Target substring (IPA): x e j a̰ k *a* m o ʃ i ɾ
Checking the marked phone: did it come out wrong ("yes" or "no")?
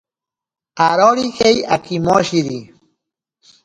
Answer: yes